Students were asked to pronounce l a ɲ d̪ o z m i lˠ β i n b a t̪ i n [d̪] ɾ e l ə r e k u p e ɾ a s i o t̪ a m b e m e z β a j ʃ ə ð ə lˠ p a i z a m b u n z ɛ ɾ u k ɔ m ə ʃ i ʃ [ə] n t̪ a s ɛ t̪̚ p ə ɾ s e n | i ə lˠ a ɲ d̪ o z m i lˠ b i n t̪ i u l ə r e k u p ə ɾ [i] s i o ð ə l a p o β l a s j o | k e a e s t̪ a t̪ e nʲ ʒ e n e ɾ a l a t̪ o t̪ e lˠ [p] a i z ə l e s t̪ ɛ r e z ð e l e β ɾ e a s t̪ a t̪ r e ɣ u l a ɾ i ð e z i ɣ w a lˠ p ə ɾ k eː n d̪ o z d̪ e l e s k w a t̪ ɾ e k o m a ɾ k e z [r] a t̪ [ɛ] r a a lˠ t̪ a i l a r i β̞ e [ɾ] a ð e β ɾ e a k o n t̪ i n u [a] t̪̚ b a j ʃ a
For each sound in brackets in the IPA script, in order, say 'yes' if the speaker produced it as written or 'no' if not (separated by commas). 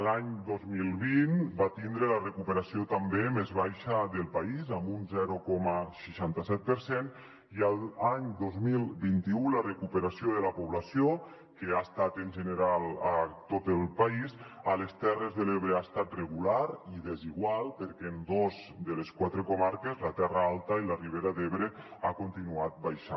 yes, no, no, yes, no, yes, yes, yes